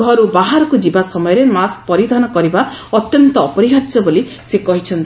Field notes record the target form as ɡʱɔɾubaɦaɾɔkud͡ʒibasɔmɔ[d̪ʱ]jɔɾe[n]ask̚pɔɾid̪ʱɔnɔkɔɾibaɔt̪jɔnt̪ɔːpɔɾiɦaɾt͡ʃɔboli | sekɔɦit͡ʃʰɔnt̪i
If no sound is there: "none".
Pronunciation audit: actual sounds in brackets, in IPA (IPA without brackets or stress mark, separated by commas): none, m